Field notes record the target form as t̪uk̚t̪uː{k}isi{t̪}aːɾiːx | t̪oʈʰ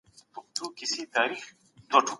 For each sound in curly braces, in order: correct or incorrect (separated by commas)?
correct, correct